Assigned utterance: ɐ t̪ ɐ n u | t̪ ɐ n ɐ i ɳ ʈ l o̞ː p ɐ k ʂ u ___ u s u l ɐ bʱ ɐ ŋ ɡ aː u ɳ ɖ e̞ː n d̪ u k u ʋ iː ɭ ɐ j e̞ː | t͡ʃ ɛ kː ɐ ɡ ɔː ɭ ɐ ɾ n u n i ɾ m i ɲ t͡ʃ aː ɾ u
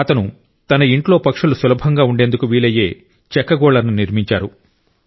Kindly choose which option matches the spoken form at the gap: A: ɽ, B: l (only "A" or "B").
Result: B